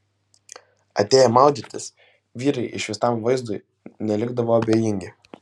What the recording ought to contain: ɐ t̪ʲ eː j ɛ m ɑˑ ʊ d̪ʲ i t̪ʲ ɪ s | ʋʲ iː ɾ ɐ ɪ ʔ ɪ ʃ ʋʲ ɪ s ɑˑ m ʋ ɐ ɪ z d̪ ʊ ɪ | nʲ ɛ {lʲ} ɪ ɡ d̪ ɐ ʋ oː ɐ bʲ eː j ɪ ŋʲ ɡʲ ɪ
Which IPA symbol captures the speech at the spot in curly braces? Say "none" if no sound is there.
lʲ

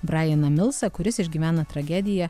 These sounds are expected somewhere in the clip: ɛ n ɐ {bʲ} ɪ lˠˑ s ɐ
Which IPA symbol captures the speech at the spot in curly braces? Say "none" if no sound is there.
mʲ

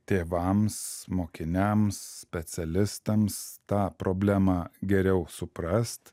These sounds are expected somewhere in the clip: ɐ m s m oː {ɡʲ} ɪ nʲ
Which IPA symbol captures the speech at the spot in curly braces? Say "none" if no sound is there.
kʲ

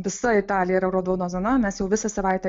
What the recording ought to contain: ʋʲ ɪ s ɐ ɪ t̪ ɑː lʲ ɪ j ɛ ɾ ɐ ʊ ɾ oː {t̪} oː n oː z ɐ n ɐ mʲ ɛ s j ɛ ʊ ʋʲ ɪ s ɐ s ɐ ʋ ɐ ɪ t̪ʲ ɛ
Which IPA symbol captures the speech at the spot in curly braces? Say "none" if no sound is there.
d̪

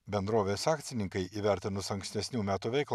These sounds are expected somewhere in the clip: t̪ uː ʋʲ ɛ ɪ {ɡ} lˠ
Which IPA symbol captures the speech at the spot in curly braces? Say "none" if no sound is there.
k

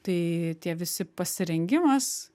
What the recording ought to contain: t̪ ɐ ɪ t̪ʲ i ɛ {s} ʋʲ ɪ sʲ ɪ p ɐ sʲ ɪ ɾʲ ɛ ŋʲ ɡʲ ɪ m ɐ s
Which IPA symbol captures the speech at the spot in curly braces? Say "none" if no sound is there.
none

